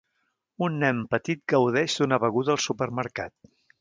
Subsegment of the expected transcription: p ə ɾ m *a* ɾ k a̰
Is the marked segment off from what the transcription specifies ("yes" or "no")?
yes